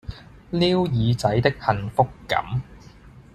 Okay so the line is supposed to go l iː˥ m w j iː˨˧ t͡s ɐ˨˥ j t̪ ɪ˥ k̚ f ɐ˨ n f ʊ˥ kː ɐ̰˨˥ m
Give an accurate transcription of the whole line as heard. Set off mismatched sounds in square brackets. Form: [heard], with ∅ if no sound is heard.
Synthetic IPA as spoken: l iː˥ [∅] w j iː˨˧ t͡s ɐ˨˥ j t̪ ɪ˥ k̚ [h] ɐ˨ n f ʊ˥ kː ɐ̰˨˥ m